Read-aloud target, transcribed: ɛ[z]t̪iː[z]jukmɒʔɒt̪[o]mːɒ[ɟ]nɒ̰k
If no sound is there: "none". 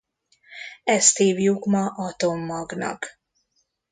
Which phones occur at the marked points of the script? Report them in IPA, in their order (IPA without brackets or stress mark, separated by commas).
s, v, o, ɡ